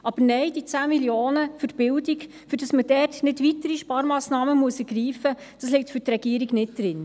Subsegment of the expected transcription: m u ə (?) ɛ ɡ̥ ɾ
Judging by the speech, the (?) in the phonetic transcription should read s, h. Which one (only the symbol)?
s